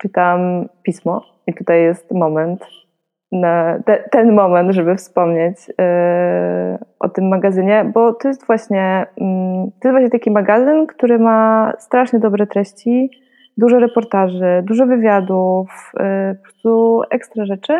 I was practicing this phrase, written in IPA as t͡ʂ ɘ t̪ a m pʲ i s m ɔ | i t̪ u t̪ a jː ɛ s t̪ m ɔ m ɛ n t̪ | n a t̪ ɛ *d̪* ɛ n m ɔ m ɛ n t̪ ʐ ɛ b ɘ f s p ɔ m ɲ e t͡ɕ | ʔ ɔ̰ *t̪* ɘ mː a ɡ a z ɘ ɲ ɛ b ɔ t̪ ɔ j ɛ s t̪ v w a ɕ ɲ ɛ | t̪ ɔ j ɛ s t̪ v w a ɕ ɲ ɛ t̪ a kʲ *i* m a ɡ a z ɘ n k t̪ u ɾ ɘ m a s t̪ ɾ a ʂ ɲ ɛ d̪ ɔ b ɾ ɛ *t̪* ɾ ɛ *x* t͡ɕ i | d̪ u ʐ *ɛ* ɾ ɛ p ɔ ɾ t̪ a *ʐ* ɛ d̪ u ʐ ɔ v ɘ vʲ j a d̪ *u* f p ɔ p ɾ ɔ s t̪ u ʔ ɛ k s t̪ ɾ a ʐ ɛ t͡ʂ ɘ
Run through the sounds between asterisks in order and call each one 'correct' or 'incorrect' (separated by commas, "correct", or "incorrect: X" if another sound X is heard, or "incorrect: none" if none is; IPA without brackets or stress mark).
incorrect: t̪, correct, correct, correct, incorrect: ɕ, correct, correct, correct